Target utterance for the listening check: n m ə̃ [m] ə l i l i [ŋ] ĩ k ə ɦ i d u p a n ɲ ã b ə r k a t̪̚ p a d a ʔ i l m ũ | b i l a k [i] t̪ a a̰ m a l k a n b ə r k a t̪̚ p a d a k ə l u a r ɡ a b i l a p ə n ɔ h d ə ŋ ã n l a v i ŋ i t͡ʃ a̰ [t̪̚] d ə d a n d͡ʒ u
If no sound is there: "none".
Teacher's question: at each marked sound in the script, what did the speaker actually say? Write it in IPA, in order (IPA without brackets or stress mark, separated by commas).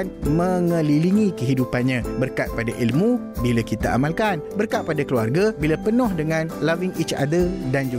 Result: ŋ, ŋ, i, none